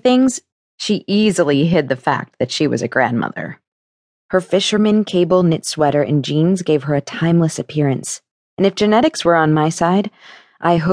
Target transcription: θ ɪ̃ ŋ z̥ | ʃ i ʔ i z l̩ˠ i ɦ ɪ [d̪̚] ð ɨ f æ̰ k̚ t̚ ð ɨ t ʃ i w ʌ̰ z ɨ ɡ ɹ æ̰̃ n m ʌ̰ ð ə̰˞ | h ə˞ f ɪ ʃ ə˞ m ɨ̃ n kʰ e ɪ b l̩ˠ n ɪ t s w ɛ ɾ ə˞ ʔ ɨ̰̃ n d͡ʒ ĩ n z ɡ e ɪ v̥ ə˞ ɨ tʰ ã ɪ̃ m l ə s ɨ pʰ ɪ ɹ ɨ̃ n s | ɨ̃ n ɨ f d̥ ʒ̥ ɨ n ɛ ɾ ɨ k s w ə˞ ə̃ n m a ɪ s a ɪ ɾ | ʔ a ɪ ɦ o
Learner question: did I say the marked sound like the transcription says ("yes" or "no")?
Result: yes